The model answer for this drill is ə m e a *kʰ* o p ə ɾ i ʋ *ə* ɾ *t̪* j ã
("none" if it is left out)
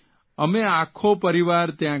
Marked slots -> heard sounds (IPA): kʰ, a, t̪

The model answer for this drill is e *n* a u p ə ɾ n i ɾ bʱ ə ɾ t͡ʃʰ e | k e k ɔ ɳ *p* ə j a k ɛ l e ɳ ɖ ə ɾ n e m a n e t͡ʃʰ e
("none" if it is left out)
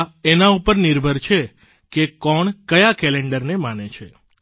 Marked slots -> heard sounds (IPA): n, k

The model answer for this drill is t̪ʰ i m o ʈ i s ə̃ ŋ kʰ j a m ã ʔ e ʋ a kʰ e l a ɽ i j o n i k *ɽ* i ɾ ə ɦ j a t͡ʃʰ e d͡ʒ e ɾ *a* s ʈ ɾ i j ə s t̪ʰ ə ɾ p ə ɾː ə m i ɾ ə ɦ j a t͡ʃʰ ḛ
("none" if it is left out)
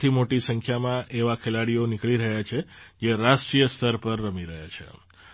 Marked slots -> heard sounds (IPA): ɭ, a

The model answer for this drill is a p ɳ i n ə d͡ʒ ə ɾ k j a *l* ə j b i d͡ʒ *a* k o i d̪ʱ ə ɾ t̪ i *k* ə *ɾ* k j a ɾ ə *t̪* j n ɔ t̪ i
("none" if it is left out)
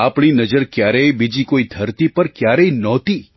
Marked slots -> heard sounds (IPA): ɾ, i, p, ɾ, none

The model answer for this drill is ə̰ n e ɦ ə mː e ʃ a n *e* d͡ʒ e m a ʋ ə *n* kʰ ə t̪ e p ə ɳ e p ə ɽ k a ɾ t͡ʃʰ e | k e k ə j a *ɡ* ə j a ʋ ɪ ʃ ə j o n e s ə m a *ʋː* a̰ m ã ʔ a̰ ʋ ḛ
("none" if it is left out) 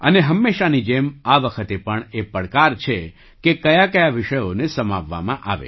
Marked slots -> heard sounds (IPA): i, none, k, ʋː

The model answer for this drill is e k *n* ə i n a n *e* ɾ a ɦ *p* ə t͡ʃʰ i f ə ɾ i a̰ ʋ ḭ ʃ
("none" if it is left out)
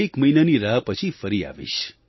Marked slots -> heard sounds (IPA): m, i, p

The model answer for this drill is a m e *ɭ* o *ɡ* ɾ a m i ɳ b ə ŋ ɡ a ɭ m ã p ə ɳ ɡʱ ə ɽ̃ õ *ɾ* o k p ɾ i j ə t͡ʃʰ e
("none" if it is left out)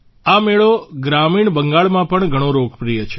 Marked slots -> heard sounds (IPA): ɭ, ɡ, ɾ

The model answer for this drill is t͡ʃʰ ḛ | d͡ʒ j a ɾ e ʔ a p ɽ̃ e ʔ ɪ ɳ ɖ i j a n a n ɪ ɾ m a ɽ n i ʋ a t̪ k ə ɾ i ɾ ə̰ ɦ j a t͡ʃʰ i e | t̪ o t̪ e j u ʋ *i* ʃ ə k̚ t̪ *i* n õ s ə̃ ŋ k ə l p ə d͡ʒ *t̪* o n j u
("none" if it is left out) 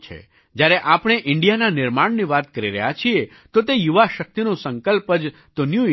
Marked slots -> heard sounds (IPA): a, i, t̪

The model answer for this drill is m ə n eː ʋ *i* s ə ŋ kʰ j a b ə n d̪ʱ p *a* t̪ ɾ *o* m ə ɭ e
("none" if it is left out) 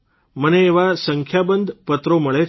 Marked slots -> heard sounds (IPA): a, ə, o

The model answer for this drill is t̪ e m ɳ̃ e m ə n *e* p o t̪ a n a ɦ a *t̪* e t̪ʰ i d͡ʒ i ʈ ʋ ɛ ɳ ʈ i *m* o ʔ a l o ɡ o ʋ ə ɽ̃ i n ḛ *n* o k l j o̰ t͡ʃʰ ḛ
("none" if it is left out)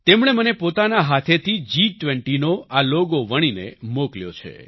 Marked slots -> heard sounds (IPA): e, t̪ʰ, n, m

